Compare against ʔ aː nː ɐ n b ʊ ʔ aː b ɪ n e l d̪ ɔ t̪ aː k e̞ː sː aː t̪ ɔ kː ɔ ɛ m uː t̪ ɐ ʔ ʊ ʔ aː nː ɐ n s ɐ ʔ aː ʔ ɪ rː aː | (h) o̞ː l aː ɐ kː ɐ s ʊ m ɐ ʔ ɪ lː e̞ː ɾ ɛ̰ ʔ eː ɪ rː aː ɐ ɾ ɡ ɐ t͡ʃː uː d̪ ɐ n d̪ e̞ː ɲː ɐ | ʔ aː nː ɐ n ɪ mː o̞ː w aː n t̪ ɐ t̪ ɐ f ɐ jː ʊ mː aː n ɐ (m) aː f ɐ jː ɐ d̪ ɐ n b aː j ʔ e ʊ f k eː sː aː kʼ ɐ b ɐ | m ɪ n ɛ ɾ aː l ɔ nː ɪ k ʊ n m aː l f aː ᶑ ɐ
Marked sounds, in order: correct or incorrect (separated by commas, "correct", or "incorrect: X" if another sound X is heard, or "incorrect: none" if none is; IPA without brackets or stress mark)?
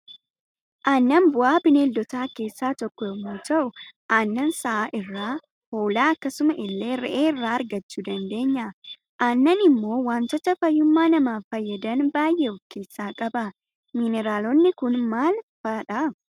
correct, correct